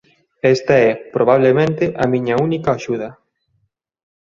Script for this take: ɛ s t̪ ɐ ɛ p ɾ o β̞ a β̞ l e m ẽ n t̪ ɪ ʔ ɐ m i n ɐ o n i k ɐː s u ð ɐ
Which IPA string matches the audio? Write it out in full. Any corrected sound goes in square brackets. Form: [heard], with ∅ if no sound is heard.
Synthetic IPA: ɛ s t̪ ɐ ɛ p ɾ o β̞ a β̞ l e m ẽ n t̪ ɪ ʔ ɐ m i [ɲ] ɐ [u] n i k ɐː [ʃ] u ð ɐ